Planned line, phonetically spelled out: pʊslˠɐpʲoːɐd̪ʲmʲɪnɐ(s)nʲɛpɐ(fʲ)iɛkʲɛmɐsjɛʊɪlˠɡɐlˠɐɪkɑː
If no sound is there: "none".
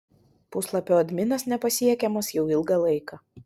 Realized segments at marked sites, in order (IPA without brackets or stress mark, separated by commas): s, sʲ